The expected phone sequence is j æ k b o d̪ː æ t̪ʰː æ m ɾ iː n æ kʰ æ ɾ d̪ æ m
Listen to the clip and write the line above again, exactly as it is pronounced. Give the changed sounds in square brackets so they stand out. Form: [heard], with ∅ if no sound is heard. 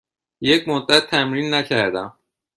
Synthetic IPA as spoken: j [e] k [m] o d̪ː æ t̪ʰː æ m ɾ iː [nː] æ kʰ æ ɾ d̪ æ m